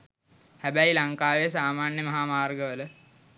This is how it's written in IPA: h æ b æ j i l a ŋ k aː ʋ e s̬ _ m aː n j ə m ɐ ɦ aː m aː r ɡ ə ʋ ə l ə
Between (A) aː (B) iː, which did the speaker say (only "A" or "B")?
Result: A